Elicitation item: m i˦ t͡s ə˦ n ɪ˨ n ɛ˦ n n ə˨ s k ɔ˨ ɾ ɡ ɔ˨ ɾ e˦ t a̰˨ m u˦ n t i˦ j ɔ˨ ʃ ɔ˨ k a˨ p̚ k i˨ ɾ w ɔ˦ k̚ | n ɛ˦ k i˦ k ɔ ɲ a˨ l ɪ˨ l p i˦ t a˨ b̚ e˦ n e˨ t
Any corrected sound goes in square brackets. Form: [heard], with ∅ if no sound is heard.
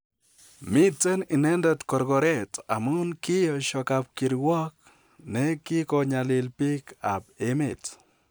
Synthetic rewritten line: m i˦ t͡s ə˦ n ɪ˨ n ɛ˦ n [d] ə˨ [t] k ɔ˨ ɾ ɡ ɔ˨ ɾ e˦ t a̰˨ m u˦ n [k] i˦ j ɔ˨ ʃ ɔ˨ k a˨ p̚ k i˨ ɾ w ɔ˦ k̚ | n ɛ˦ k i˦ k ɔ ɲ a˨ l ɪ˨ l p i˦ [k] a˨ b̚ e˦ [m] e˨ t